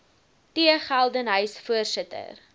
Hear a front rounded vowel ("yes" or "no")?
yes